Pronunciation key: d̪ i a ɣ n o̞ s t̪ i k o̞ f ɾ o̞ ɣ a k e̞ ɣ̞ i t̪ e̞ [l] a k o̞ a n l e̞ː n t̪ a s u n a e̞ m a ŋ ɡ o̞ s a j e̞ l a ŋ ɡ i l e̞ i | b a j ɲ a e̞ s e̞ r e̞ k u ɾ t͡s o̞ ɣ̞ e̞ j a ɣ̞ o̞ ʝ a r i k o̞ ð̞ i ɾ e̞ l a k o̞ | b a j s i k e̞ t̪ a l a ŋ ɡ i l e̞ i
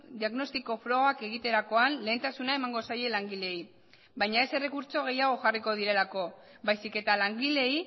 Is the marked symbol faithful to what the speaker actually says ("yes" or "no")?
no